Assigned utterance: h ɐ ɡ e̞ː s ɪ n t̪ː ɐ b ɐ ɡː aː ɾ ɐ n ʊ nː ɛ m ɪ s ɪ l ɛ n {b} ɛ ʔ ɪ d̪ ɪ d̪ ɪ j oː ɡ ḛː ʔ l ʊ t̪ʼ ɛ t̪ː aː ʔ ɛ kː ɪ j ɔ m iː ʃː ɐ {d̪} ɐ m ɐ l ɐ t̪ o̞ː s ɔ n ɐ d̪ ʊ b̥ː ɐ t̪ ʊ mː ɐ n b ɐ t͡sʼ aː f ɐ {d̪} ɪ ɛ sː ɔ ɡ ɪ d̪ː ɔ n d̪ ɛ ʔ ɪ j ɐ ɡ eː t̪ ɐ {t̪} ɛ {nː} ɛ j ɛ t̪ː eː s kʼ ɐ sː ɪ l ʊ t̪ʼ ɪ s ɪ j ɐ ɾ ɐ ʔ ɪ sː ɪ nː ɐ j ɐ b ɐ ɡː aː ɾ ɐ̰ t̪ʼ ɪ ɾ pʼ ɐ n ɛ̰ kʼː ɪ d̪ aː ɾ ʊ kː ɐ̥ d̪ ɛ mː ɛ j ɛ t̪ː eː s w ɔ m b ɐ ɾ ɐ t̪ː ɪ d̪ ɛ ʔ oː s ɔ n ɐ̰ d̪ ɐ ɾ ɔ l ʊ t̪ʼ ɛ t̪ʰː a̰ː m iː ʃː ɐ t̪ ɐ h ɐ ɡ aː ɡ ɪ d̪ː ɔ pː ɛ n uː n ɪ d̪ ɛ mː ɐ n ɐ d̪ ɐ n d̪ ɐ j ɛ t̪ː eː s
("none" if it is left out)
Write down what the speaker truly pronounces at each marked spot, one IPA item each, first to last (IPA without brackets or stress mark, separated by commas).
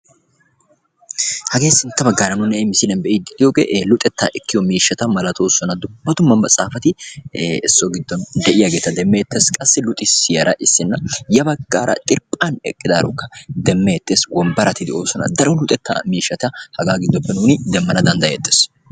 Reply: b, t̪, t̪, d̪, mː